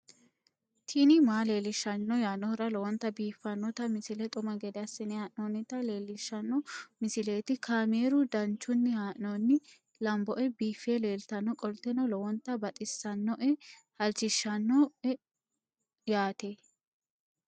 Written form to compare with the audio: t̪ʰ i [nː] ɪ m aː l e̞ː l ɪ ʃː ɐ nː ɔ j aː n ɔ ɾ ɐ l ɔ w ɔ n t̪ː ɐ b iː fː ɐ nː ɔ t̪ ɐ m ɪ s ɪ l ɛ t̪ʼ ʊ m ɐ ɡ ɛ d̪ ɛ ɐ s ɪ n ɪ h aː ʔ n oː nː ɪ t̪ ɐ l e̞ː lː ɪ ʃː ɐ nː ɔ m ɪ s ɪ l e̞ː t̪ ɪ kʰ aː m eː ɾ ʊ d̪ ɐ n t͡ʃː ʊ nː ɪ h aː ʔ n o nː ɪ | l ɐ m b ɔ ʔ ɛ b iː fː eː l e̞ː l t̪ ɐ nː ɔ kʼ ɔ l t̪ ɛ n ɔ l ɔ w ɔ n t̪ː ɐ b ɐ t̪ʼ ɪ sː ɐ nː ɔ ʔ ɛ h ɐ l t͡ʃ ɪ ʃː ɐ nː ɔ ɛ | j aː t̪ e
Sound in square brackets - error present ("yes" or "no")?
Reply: yes